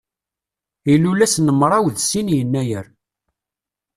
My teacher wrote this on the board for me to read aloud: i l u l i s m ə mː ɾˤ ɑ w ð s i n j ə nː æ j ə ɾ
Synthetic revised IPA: i l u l æ s n ə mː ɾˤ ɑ w ð s i n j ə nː æ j ə ɾ